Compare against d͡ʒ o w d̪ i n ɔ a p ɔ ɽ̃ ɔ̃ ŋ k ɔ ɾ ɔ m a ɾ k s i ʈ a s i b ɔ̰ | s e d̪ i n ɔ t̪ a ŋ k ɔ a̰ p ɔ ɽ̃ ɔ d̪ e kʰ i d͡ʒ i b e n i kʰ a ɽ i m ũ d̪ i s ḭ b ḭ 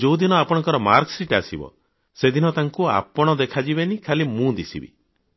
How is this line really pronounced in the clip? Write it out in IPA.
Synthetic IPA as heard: d͡ʒ o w d̪ i n ɔ a p ɔ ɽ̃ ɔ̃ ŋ k ɔ ɾ ɔ m a ɾ k s i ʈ a s i b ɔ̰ | s e d̪ i n ɔ t̪ a ŋ k u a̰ p ɔ ɽ̃ ɔ d̪ e kʰ a d͡ʒ i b e n i kʰ a l i m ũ d̪ i s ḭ b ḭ